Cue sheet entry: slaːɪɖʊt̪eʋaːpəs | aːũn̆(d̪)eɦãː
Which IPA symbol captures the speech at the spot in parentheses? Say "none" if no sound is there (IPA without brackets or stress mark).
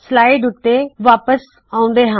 d̪